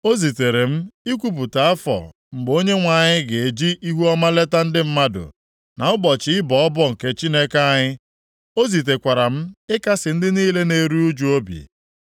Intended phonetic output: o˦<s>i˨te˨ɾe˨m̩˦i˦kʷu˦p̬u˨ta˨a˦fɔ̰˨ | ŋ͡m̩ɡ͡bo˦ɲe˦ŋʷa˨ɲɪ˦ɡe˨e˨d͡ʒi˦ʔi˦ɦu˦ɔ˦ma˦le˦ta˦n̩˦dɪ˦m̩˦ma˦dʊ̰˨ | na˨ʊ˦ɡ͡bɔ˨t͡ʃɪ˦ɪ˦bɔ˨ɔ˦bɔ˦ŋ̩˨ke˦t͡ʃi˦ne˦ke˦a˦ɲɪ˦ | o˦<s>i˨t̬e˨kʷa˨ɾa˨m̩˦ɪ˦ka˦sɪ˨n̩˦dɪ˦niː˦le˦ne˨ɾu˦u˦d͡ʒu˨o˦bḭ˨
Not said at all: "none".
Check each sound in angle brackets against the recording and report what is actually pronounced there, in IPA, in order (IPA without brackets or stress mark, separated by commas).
z, z